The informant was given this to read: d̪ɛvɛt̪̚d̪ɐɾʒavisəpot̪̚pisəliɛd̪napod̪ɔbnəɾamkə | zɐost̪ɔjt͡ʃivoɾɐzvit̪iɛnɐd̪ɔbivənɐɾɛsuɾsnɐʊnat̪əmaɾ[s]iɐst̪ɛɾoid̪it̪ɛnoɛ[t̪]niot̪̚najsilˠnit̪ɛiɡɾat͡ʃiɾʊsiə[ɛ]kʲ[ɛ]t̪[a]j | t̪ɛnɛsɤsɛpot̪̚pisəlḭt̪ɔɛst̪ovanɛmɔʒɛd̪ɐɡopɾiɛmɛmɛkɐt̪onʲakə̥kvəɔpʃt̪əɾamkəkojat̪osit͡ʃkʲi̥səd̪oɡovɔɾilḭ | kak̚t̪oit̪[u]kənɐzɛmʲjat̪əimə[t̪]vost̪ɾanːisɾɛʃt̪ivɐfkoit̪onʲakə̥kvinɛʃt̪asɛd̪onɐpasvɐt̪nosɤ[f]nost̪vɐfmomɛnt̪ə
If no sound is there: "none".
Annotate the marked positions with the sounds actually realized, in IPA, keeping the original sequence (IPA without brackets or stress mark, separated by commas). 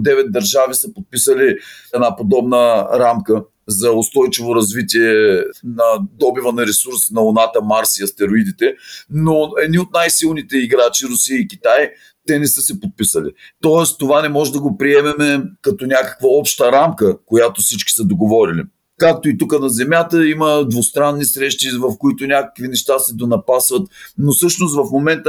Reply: s, d̪, i, i, a, u, d̪, ʃ